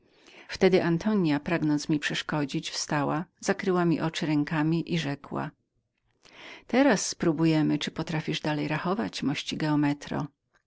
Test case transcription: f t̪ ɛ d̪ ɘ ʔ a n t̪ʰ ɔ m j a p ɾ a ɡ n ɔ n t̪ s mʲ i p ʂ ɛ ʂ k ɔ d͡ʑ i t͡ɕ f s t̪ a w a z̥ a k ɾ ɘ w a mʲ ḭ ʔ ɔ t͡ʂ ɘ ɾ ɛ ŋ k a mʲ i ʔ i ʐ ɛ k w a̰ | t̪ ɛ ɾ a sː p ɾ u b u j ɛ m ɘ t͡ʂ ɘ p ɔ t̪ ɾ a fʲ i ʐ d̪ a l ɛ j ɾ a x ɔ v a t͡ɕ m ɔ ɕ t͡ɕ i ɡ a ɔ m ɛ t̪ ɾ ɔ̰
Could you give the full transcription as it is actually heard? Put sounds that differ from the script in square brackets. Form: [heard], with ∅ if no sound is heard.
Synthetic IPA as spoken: f t̪ ɛ d̪ ɘ ʔ a n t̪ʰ ɔ [ɲ] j a p ɾ a ɡ n ɔ n t̪ s mʲ i p ʂ ɛ ʂ k ɔ d͡ʑ i t͡ɕ f s t̪ a w a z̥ a k ɾ ɘ w a mʲ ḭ ʔ ɔ t͡ʂ ɘ ɾ ɛ ŋ k a mʲ i ʔ i ʐ ɛ k w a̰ | t̪ ɛ ɾ a sː p ɾ u b u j ɛ m ɘ t͡ʂ ɘ p ɔ t̪ ɾ a fʲ i ʐ d̪ a l ɛ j ɾ a x ɔ v a t͡ɕ m ɔ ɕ t͡ɕ i ɡ [ɛ] ɔ m ɛ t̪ ɾ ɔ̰